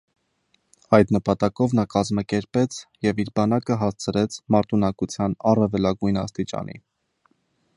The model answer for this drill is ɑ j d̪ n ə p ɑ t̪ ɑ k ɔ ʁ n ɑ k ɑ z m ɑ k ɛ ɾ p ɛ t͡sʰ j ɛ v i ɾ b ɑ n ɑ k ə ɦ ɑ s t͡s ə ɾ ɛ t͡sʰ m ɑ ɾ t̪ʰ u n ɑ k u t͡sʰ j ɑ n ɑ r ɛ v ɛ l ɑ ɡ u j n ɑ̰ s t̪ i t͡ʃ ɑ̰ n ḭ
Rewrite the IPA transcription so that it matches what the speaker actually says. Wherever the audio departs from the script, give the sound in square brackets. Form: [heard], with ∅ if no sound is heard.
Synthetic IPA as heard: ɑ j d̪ n ə p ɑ t̪ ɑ k ɔ [v] n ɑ k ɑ z m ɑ k ɛ ɾ p ɛ t͡sʰ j ɛ v i ɾ b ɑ n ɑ k ə ɦ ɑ s [t͡sʰ] ə ɾ ɛ t͡sʰ m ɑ ɾ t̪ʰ u n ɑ k u t͡sʰ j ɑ n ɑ r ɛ v ɛ l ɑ ɡ u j n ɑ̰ s t̪ i t͡ʃ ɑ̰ n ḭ